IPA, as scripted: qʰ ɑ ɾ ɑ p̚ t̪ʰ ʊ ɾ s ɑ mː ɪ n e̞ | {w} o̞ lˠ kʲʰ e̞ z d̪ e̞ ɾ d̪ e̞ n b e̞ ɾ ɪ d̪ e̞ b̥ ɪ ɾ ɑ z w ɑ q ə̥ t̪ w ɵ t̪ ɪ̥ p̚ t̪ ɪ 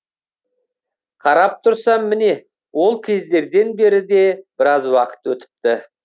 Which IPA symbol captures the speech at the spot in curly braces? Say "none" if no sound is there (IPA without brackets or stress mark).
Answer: w